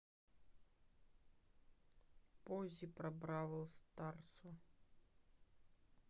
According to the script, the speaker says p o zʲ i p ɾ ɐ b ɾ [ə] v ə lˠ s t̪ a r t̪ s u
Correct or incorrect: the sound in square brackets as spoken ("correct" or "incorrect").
incorrect